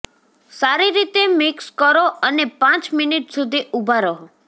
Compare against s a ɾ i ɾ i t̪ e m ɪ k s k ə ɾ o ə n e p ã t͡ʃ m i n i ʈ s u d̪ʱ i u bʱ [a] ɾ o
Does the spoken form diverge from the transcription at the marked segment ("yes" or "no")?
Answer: no